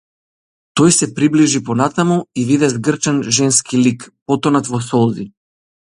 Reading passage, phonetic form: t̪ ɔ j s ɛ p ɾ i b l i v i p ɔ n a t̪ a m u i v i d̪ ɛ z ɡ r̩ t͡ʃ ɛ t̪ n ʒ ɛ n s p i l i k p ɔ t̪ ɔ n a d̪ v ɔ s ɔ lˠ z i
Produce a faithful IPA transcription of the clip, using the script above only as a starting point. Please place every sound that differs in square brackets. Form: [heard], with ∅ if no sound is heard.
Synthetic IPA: t̪ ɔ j s ɛ p ɾ i b l i [ʒ] i p ɔ n a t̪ a m u i v i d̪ ɛ z ɡ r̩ t͡ʃ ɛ [∅] n ʒ ɛ n s [k] i l i k p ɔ t̪ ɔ n a [t̪] v ɔ s ɔ lˠ z i